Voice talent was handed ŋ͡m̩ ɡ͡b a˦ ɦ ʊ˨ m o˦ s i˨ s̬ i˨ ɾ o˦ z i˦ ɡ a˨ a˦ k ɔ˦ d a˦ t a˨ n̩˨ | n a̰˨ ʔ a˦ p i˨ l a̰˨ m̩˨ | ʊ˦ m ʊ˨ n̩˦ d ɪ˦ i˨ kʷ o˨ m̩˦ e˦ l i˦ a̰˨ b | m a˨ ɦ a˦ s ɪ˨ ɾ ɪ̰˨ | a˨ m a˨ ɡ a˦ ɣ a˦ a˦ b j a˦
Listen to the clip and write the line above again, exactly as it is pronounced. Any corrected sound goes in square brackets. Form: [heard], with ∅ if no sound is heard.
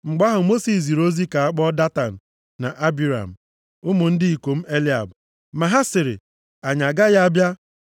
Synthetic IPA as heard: ŋ͡m̩ ɡ͡b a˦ ɦ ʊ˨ m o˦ s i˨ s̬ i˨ ɾ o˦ z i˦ [k] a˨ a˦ [k͡p] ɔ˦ d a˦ t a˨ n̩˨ | n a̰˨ ʔ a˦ [b] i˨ [ɾ] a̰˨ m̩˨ | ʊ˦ m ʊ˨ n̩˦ d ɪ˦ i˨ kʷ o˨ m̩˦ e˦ l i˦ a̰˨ b | m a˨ ɦ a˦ s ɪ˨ ɾ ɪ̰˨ | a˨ [ɲ] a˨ ɡ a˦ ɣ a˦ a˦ b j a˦